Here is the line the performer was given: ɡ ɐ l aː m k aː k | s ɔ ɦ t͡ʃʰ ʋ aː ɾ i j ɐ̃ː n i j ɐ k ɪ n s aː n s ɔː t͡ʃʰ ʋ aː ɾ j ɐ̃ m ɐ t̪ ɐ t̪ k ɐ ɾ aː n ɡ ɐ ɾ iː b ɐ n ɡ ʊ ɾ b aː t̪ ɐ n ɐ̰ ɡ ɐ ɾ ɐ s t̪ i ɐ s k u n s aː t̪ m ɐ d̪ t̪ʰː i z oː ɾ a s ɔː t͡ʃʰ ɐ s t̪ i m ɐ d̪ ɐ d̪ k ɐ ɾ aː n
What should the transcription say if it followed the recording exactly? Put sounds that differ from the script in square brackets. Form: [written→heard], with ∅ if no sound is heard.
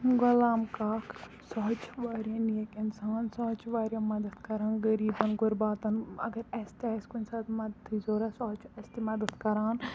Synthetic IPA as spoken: ɡ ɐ l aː m k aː k | s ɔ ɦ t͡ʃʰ ʋ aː ɾ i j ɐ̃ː n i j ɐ k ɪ n s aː n s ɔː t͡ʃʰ ʋ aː ɾ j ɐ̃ m ɐ [t̪→d̪] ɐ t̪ k ɐ ɾ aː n ɡ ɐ ɾ iː b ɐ n ɡ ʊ ɾ b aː t̪ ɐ n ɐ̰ ɡ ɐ ɾ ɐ s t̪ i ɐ s k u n s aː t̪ m ɐ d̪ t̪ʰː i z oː ɾ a s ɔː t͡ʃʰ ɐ s t̪ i m ɐ d̪ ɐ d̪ k ɐ ɾ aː n

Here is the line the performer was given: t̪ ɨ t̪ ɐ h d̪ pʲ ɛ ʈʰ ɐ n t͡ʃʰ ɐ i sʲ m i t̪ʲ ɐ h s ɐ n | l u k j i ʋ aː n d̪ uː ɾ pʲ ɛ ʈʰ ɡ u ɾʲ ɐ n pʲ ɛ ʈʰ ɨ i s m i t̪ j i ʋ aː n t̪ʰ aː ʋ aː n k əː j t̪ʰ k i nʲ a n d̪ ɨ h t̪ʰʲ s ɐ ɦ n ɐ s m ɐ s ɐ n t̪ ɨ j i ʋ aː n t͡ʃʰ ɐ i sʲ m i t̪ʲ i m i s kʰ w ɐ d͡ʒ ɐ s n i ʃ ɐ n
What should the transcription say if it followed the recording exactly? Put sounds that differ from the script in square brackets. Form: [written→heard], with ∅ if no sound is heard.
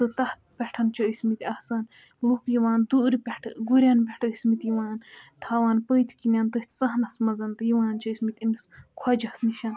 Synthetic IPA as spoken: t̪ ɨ t̪ ɐ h [d̪→t̪] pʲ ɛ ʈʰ ɐ n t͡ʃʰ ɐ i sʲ m i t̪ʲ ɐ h s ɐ n | l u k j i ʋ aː n d̪ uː ɾ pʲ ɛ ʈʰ ɡ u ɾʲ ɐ n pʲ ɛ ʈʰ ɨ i s m i t̪ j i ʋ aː n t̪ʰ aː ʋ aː n [k→p] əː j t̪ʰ k i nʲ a n [d̪→t̪] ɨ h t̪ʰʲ s ɐ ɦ n ɐ s m ɐ [s→z] ɐ n t̪ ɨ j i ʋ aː n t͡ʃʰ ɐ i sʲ m i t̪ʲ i m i s kʰ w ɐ d͡ʒ ɐ s n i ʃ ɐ n

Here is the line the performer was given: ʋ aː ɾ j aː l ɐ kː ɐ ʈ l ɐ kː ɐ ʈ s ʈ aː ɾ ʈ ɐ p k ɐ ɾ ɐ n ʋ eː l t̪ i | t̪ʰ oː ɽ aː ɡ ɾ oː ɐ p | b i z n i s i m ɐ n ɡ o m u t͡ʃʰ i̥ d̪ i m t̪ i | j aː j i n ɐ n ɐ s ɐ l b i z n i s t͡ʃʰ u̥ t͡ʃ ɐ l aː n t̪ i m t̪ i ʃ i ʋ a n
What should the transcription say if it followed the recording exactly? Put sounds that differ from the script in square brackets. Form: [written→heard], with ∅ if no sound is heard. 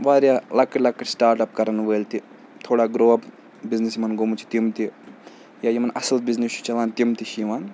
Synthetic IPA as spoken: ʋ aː ɾ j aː l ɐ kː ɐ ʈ l ɐ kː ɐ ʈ s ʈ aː ɾ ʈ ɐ p k ɐ ɾ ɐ n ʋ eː l t̪ i | t̪ʰ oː ɽ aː ɡ ɾ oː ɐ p | b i z n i s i m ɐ n ɡ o m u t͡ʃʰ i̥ [d̪→t̪] i m t̪ i | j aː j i [n→m] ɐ n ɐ s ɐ l b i z n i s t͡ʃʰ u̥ t͡ʃ ɐ l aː n t̪ i m t̪ i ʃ i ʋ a n

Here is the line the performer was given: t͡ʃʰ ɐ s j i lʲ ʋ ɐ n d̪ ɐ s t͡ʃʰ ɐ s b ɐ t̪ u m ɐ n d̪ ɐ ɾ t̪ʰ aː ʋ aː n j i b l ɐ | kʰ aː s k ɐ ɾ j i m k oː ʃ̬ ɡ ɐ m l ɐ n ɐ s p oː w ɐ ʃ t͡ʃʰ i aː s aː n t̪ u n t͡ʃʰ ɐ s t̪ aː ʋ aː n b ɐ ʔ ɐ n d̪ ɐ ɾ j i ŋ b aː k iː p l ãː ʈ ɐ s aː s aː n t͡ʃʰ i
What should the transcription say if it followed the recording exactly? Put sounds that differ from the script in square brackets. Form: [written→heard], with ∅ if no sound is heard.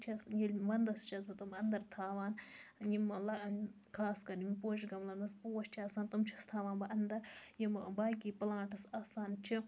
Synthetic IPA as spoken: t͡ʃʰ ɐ s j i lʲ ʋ ɐ n d̪ ɐ s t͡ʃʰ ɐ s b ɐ t̪ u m ɐ n d̪ ɐ ɾ t̪ʰ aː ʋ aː n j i [b→m] l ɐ | kʰ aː s k ɐ ɾ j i m [k→p] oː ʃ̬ ɡ ɐ m l ɐ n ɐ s p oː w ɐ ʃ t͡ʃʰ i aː s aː n t̪ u [n→m] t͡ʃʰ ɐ s [t̪→t̪ʰ] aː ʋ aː n b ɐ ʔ ɐ n d̪ ɐ ɾ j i [ŋ→m] b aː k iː p l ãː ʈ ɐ s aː s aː n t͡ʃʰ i

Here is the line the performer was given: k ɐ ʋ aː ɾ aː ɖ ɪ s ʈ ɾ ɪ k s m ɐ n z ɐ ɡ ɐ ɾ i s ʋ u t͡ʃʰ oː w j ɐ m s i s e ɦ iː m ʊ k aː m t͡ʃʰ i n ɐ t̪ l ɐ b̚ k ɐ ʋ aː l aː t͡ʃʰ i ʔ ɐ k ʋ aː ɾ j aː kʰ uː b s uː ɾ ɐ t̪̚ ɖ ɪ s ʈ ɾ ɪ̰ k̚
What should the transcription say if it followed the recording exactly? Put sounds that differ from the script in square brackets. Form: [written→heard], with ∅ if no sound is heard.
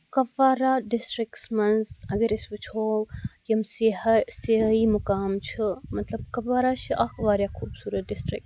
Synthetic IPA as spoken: k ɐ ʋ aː ɾ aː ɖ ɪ s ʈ ɾ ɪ k s m ɐ n z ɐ ɡ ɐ ɾ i s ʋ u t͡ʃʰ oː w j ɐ m s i s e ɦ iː m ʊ k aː m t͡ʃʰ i [n→m] ɐ t̪ l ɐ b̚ k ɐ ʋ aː [l→ɾ] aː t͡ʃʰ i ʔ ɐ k ʋ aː ɾ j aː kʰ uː b s uː ɾ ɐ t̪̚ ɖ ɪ s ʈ ɾ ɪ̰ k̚

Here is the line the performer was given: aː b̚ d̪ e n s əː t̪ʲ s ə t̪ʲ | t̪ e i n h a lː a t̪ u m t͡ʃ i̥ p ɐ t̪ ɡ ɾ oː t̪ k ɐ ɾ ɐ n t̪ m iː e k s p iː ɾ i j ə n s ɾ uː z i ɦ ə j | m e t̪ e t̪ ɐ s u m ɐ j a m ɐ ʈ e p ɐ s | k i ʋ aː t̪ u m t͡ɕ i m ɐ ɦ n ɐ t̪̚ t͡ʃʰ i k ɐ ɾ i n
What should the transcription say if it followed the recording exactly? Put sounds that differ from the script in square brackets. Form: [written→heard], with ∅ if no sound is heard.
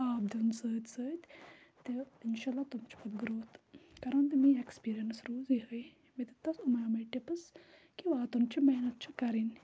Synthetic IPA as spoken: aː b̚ d̪ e n s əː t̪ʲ s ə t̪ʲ | t̪ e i n [h→ʃ] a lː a t̪ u m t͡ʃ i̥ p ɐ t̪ ɡ ɾ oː t̪ k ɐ ɾ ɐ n t̪ m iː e k s p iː ɾ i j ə n s ɾ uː z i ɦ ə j | m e t̪ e t̪ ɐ s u m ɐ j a m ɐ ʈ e p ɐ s | k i ʋ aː t̪ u m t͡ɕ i m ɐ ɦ n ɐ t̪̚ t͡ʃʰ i k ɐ ɾ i n

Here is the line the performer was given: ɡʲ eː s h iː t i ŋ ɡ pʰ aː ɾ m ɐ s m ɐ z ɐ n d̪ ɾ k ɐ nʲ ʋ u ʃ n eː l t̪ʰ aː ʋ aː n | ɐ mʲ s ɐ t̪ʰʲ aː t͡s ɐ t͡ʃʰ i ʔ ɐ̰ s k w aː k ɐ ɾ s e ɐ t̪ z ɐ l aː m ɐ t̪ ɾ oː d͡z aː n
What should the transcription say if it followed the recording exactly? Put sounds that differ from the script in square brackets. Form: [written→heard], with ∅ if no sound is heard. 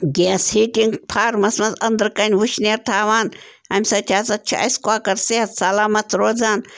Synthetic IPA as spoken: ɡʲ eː s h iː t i ŋ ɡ pʰ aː ɾ m ɐ s m ɐ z ɐ n d̪ ɾ k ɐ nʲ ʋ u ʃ n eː [l→ɾ] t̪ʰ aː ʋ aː n | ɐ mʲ s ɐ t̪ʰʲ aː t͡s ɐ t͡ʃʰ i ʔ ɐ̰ s k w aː k ɐ ɾ s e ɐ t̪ [z→s] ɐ l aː m ɐ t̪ ɾ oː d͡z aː n

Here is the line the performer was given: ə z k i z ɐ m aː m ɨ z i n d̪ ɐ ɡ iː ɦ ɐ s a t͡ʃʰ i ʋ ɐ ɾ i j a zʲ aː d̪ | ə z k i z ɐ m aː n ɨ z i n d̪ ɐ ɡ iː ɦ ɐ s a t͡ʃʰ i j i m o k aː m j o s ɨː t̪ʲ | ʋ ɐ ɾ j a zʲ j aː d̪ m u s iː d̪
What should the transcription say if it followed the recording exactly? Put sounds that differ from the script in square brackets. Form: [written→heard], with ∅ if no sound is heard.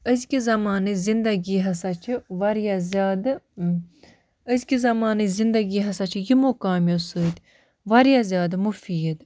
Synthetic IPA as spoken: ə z k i z ɐ m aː [m→n] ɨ z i n d̪ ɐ ɡ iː ɦ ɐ s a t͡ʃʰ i ʋ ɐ ɾ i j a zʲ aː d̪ | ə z k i z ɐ m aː n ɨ z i n d̪ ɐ ɡ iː ɦ ɐ s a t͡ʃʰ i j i m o k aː m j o s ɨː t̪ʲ | ʋ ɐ ɾ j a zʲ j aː d̪ m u [s→f] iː d̪

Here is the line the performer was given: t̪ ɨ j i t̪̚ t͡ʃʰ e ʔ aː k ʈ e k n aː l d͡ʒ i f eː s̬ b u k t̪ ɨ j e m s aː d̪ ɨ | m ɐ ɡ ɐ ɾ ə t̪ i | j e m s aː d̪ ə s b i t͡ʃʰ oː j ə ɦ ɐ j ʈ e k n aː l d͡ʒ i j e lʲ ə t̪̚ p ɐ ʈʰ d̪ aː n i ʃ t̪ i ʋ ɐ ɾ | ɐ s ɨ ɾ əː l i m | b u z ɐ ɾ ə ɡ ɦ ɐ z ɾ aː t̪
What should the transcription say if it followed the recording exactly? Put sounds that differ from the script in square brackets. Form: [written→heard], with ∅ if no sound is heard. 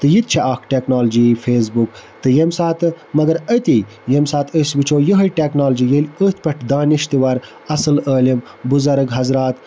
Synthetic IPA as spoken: t̪ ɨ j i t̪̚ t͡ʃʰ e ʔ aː k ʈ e k n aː l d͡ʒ i f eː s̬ b u k t̪ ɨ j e m s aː [d̪→t̪] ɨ | m ɐ ɡ ɐ ɾ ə t̪ i | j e m s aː [d̪→t̪] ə s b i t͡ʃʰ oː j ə ɦ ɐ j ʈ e k n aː l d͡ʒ i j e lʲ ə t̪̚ p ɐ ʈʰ d̪ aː n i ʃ t̪ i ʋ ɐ ɾ | ɐ s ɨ [ɾ→l] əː l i m | b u z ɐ ɾ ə ɡ ɦ ɐ z ɾ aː t̪

